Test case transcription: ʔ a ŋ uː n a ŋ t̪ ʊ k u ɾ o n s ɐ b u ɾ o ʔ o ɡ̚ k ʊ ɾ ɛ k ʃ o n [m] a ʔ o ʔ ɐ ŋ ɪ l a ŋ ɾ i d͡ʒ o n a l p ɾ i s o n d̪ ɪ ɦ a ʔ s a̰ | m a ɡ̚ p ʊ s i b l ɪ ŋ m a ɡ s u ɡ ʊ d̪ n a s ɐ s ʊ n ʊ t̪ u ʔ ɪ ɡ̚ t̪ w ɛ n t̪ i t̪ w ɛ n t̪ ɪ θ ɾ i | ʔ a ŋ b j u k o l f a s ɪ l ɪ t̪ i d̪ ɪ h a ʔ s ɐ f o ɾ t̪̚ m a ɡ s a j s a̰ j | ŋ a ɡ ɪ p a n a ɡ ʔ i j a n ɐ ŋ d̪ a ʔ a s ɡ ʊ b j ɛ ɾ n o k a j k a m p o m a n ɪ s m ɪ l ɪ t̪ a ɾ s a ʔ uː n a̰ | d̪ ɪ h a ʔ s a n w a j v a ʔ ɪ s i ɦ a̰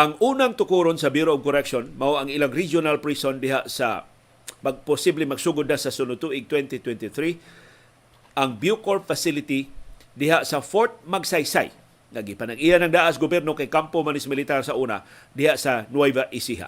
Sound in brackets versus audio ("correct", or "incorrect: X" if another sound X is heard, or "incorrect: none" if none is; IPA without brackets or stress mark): correct